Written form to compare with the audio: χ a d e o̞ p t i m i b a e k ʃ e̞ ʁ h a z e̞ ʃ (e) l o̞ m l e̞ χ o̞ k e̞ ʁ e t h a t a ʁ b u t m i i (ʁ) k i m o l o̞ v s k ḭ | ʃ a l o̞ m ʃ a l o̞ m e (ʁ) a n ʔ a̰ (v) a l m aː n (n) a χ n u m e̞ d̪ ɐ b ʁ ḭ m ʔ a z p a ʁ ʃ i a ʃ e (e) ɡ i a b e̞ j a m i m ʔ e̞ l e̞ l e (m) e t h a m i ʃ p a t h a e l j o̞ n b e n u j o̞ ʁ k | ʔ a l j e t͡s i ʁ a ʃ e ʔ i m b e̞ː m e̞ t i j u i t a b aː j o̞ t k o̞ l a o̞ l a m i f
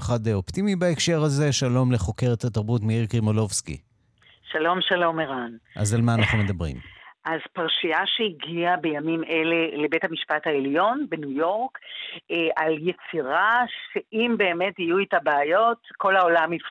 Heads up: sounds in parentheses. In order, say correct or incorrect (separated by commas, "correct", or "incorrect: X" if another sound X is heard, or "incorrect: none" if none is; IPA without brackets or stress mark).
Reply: incorrect: a, correct, correct, incorrect: z, correct, incorrect: i, incorrect: b